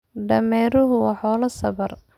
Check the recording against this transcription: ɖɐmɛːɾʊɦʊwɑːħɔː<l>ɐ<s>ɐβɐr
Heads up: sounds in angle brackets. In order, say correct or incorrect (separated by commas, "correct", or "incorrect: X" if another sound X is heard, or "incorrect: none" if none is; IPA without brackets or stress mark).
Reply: correct, correct